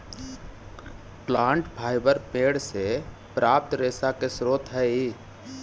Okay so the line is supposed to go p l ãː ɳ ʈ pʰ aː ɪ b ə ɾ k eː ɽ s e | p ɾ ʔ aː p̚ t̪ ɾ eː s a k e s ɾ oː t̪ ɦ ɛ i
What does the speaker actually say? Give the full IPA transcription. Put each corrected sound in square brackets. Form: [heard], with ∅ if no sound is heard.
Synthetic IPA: p l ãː ɳ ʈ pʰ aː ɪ b ə ɾ [p] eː ɽ s e | p ɾ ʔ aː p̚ t̪ ɾ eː s a k e s ɾ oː t̪ ɦ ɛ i